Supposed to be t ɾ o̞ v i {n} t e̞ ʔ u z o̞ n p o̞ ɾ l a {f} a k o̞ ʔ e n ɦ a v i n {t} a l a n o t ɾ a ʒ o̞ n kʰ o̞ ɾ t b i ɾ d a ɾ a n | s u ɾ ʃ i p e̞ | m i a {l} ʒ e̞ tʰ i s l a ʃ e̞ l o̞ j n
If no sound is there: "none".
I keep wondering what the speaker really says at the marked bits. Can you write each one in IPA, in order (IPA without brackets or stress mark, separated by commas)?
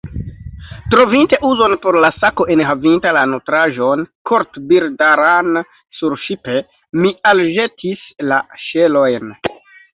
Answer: n, s, t, l